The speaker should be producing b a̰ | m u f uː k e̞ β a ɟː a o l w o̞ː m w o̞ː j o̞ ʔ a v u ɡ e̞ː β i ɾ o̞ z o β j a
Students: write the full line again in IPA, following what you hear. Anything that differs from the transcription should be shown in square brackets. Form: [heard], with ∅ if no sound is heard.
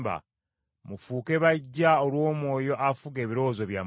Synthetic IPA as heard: b a̰ | m u f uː k e̞ β a ɟː a o l w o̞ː m w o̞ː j o̞ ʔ a [f] u ɡ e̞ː β i ɾ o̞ z o β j a